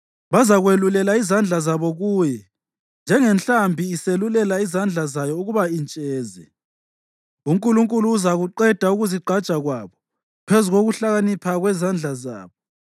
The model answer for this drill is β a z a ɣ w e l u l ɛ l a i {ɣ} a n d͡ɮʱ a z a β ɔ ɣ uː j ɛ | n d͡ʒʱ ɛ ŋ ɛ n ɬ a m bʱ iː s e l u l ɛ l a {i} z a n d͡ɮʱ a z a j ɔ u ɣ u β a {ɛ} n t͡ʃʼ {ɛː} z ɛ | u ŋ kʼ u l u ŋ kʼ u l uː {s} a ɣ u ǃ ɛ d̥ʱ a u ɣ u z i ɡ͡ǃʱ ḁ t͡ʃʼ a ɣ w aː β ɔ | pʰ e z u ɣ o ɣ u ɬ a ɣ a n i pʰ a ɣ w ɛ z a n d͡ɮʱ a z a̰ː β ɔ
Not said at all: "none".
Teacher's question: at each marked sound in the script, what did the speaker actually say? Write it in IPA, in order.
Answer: z, i, i, ɛː, z

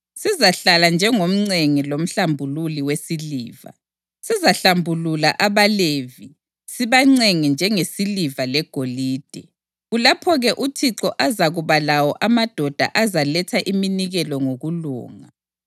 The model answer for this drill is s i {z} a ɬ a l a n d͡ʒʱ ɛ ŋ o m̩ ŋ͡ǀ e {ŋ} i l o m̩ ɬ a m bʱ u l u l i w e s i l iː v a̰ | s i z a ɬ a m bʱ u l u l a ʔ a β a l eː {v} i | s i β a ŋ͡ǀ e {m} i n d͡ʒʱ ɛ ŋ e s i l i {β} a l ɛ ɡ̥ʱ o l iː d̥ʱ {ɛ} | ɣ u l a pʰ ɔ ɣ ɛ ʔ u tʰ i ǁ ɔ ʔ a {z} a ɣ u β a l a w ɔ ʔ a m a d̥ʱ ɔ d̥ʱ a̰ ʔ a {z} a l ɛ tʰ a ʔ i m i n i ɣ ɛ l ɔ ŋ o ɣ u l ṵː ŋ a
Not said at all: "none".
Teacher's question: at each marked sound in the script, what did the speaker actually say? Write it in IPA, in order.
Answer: z, ŋ, v, ŋ, v, ɛ, z, z

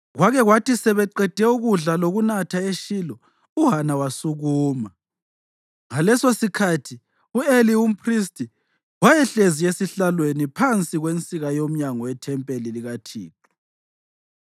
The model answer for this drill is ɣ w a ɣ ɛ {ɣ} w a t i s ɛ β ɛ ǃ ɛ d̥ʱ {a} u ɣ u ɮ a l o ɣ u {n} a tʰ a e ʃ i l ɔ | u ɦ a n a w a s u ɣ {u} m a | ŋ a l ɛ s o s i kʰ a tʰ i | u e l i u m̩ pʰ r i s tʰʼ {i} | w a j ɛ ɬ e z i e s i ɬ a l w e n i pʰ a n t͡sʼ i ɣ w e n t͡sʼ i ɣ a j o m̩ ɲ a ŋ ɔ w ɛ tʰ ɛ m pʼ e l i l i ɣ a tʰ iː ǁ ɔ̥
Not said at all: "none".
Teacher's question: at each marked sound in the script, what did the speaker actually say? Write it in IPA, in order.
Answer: ɣ, ɛ, n, uː, i

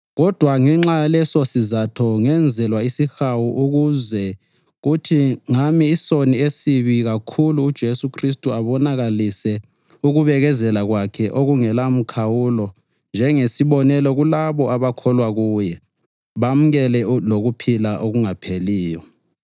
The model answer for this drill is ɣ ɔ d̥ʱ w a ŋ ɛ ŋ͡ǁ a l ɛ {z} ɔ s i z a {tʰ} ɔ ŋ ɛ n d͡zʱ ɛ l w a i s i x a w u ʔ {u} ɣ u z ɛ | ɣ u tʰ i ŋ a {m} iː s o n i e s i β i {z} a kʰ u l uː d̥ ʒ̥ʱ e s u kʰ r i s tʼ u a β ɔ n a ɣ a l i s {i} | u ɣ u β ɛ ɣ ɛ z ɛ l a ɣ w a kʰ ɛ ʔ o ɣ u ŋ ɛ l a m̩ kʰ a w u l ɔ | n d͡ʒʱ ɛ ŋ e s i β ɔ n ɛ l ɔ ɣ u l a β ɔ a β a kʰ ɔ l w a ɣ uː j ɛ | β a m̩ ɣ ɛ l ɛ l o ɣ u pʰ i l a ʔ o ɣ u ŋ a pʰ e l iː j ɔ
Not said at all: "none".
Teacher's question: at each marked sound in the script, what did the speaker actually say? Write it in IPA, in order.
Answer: s, tʰ, u, m, ɣ, ɛ

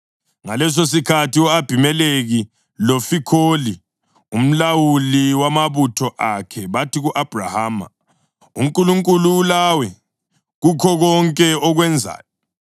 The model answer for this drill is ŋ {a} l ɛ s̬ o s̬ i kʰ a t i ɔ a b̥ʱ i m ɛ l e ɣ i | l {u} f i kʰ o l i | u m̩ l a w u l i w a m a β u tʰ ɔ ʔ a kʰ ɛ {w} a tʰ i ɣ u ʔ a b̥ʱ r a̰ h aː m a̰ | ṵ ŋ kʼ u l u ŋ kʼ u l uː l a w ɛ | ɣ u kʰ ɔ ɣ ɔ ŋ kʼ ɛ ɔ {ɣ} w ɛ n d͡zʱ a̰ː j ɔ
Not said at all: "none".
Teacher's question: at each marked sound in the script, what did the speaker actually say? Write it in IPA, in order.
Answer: a, o, β, ɣ

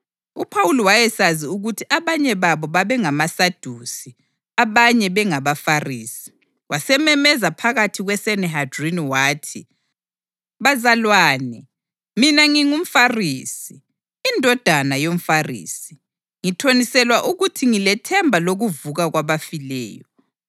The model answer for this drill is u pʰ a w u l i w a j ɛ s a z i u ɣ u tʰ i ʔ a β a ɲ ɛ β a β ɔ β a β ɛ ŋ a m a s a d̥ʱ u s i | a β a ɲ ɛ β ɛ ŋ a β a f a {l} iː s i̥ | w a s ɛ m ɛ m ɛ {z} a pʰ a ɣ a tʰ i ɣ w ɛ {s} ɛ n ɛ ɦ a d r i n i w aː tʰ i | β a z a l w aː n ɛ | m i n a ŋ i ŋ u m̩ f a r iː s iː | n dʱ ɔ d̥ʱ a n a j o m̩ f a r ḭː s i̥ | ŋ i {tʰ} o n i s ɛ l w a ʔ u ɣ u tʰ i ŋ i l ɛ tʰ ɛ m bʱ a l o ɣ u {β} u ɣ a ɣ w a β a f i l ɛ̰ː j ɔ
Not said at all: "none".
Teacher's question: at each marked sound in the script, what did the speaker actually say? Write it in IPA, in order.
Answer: r, z, s, tʰ, v

